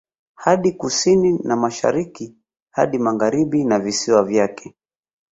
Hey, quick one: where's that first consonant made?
throat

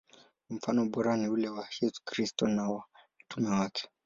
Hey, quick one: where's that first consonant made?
lips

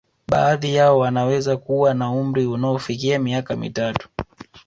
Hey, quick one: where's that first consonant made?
lips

